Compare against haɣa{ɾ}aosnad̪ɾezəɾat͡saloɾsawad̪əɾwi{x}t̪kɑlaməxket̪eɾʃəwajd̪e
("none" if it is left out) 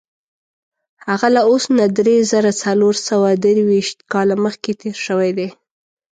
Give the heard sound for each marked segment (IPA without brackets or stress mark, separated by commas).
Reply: l, ʃ